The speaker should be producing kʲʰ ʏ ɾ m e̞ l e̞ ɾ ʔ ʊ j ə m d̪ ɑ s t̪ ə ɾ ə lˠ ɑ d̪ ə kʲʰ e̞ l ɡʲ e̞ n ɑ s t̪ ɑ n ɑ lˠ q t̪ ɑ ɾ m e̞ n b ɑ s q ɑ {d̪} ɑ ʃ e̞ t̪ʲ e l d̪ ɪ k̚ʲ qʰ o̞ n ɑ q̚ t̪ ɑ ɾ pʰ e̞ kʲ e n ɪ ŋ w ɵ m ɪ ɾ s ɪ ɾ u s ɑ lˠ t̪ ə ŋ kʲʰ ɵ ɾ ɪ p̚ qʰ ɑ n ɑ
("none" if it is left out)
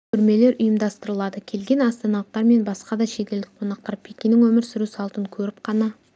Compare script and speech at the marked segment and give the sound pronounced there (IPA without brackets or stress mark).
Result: d̪